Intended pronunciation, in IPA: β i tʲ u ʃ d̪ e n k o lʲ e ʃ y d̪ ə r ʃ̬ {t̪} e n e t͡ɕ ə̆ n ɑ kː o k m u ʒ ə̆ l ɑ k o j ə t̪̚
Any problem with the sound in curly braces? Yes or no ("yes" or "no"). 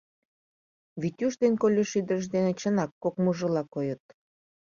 yes